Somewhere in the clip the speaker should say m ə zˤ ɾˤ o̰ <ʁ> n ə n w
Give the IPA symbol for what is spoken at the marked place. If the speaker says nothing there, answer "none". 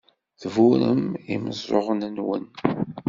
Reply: ʁ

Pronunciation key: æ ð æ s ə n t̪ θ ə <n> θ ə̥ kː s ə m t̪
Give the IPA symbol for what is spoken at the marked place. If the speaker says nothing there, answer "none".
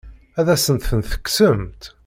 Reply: n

